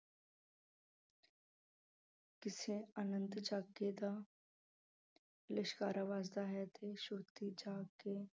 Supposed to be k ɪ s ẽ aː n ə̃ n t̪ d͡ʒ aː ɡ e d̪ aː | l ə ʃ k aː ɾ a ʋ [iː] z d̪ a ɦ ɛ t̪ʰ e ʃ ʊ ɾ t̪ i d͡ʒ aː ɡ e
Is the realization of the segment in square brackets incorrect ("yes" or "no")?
yes